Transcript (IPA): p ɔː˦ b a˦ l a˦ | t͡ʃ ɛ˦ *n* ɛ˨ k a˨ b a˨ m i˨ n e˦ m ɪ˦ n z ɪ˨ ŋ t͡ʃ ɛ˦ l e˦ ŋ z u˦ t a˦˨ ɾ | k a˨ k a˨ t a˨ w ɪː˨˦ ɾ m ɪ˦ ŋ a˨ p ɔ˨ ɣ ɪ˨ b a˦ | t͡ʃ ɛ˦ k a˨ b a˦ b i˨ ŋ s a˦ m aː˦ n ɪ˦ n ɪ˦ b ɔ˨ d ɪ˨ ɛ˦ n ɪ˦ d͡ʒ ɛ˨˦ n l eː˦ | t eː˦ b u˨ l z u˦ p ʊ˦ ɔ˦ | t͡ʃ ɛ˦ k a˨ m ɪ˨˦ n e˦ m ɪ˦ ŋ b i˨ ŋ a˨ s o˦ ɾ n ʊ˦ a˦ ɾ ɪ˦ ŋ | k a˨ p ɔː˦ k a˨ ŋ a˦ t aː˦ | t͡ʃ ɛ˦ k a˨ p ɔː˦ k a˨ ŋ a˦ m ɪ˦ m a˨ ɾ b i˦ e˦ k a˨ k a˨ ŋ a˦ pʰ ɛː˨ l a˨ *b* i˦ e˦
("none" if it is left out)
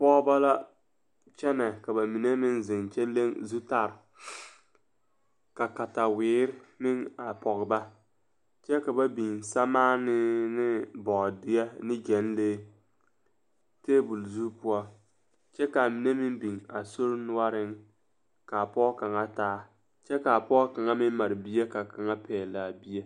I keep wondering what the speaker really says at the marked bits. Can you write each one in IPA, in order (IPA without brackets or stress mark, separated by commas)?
n, b